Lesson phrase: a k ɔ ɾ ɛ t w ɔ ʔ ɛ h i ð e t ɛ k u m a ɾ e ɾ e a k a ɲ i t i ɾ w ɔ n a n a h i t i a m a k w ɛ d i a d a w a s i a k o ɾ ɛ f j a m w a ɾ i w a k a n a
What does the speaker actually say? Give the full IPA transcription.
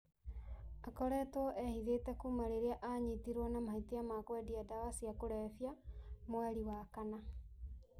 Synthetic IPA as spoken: a k ɔ ɾ ɛ t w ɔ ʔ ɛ h i ð e t ɛ k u m a ɾ e ɾ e a ʔ a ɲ i t i ɾ w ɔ n a m a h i t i a m a k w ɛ d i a d a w a s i a k o ɾ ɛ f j a m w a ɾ i w a k a n a